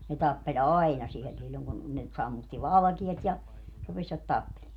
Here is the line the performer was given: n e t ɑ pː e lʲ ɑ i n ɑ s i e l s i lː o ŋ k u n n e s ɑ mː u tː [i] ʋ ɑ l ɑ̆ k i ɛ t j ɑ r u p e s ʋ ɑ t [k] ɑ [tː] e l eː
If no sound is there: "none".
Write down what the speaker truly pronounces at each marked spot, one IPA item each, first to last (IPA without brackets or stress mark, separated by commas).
i, t, pː